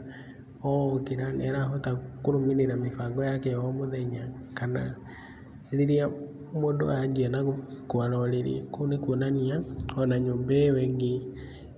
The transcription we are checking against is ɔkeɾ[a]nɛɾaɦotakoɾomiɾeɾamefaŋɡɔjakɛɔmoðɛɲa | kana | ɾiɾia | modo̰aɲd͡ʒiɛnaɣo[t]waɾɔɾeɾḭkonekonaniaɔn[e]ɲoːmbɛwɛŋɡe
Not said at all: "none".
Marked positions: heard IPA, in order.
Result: a, k, a

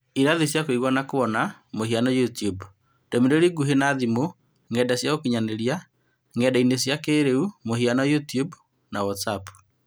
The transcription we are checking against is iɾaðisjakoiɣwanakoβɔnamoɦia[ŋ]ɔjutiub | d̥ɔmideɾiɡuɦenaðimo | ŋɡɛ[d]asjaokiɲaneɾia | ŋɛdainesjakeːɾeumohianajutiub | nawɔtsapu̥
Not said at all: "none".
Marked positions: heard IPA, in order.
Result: n, d

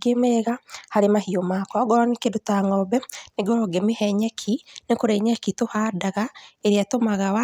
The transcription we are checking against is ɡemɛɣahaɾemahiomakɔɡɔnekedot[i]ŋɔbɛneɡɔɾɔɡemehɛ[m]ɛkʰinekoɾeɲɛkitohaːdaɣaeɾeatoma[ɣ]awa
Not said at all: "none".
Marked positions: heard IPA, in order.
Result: a, ɲ, ɣ

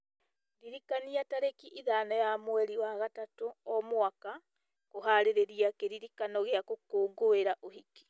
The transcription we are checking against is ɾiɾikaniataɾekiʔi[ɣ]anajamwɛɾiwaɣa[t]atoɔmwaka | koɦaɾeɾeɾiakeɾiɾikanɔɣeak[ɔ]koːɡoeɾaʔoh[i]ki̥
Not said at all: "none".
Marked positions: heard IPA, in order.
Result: ð, t, o, i

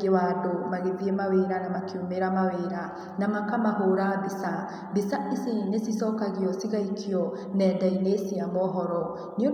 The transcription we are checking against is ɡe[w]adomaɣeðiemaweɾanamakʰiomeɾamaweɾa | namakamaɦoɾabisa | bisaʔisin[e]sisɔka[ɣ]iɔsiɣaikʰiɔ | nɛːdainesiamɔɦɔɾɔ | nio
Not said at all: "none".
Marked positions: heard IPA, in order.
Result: w, e, ɣ

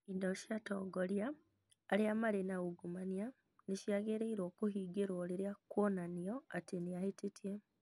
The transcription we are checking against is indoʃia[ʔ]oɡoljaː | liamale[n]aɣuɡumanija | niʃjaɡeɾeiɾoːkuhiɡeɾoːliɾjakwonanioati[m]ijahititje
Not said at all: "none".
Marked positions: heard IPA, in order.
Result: t, n, n

